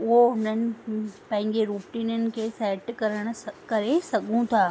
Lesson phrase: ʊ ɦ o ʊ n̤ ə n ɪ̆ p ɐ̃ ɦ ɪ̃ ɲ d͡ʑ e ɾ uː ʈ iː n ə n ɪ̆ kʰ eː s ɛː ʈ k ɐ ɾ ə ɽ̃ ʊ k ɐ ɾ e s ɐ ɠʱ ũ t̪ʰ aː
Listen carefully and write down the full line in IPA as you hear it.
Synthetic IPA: ʊ ɦ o ʊ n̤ ə n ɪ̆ p ɐ̃ ɦ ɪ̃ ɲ d͡ʑ e ɾ uː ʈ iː n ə n ɪ̆ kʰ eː s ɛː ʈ k ɐ ɾ ə ɽ̃ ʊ k ɐ ɾ e s ɐ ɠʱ ũ t̪ʰ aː